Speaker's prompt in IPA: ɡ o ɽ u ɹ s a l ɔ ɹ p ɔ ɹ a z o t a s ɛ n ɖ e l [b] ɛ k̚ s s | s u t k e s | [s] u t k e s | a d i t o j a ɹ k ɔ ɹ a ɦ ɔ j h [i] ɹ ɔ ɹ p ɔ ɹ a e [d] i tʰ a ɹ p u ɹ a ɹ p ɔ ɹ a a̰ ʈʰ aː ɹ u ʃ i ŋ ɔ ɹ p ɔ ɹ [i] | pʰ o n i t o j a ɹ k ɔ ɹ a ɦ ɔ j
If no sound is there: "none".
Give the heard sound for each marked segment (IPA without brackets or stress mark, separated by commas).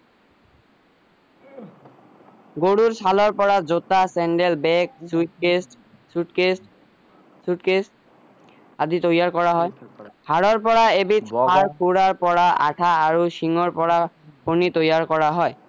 b, s, a, b, a